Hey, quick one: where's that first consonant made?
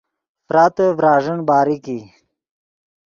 lips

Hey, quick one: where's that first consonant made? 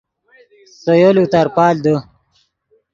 tongue tip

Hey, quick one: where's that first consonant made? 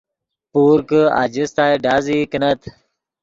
lips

